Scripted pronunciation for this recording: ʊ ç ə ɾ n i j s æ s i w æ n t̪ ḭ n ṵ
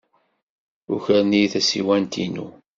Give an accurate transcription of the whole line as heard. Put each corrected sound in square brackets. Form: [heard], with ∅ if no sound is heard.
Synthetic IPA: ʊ ç ə ɾ n i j [θ] æ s i w æ n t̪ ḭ n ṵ